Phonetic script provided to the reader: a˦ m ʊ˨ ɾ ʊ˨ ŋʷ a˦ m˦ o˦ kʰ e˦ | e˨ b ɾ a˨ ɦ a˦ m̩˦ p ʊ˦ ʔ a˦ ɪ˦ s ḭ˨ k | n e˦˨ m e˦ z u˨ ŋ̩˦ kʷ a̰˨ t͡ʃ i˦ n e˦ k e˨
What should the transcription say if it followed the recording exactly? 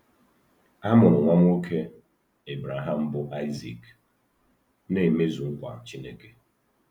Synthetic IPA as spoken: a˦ m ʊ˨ ɾ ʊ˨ ŋʷ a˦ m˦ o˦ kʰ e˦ | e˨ b ɾ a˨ ɦ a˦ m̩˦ b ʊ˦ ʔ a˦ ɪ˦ z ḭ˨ k | n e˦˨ m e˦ z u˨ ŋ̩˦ kʷ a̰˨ t͡ʃ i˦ n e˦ k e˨

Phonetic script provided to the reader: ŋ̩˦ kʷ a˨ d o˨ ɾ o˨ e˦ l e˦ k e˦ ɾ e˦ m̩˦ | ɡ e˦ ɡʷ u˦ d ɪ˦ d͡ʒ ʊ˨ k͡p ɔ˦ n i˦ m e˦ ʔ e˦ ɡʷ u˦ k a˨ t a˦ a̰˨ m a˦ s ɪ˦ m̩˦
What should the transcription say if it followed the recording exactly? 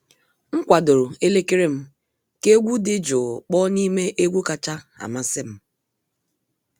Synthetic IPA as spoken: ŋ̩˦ kʷ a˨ d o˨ ɾ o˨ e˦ l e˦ k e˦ ɾ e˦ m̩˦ | k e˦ ɡʷ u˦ d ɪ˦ d͡ʒ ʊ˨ k͡p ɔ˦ n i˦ m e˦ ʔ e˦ ɡʷ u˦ k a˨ t͡ʃ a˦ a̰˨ m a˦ s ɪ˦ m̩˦

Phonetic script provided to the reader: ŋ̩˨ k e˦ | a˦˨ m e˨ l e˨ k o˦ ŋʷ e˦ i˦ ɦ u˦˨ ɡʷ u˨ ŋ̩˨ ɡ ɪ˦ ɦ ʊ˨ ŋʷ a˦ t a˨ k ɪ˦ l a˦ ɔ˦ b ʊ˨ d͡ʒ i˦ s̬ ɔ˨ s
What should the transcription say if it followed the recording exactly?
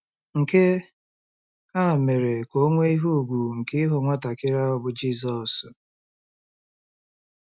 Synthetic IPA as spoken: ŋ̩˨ k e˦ | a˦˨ m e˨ ɾ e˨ k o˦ ŋʷ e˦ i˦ ɦ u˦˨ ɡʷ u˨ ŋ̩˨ k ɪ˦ ɦ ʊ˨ ŋʷ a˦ t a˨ k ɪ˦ ɾ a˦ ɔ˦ b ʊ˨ d͡ʒ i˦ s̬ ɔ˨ s

